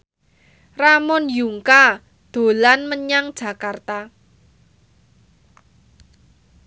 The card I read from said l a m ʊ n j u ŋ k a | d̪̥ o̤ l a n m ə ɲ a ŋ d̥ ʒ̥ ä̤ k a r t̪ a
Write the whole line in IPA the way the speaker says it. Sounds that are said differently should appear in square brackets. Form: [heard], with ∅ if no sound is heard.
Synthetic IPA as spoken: [r] a m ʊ n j u ŋ k a | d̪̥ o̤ l a n m ə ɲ a ŋ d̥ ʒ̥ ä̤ k a r t̪ a